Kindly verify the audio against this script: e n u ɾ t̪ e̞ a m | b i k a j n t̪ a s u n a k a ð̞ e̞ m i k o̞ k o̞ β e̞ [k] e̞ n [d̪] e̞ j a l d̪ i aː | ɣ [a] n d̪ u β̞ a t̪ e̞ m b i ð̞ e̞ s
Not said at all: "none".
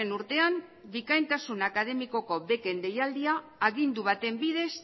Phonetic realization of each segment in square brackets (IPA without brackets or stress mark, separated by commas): k, d̪, i